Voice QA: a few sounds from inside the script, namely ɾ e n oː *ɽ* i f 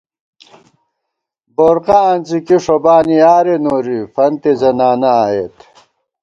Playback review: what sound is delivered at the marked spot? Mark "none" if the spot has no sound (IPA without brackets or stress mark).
ɾ